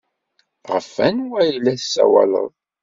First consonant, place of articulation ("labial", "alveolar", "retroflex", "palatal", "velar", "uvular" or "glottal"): uvular